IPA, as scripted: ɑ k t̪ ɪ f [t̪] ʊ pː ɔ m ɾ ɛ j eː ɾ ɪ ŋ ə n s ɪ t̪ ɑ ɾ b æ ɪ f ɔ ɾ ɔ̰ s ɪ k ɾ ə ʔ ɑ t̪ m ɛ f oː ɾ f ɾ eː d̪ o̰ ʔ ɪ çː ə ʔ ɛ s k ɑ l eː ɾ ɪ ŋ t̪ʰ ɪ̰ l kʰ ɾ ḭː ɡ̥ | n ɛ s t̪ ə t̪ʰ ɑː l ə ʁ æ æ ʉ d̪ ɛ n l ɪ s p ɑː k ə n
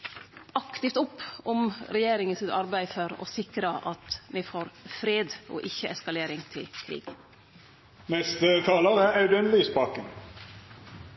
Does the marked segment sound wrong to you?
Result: no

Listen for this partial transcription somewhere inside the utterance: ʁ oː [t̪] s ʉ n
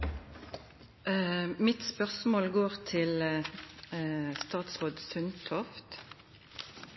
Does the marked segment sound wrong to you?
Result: yes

